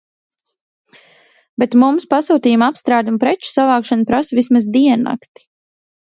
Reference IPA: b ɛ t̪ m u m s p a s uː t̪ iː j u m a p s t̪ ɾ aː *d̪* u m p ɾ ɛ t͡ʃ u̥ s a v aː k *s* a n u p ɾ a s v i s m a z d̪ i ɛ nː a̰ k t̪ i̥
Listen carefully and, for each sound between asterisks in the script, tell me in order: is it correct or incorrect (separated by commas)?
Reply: correct, incorrect